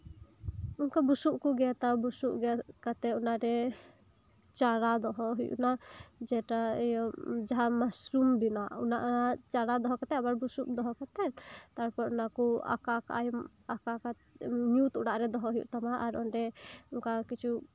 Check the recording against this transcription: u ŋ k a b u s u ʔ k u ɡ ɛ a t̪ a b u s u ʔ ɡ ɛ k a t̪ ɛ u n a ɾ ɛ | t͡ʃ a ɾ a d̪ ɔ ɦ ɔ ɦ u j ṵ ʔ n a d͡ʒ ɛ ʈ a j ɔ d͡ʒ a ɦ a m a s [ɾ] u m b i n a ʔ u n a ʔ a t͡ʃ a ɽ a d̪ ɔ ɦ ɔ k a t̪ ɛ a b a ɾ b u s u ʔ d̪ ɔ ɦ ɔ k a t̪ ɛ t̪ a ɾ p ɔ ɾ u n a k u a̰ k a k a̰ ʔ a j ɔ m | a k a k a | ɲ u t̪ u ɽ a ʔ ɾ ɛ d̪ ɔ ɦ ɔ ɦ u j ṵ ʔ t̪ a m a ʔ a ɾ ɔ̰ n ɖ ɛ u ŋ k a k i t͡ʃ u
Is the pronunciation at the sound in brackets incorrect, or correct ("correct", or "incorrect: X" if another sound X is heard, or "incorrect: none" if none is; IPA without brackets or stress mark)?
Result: correct